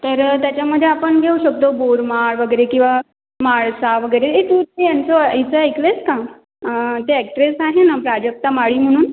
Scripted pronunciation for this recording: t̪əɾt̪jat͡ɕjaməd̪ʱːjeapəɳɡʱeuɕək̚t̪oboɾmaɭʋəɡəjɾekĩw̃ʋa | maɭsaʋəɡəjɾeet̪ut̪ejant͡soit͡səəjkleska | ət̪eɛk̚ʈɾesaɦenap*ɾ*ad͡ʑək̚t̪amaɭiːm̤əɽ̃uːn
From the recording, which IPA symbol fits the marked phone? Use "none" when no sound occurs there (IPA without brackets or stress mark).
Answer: ɾ